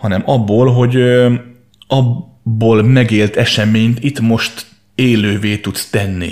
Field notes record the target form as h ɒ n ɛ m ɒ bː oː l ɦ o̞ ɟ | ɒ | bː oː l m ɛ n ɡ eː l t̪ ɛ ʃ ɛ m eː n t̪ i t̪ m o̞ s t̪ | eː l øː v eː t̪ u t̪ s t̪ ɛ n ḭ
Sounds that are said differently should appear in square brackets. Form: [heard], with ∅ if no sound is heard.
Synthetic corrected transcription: h ɒ n ɛ m ɒ bː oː l ɦ o̞ ɟ | ɒ | bː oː l m ɛ [∅] ɡ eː l t̪ ɛ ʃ ɛ m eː [ɲ] t̪ i t̪ m o̞ [ʃ] t̪ | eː l øː v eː t̪ u t̪ s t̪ ɛ [nː] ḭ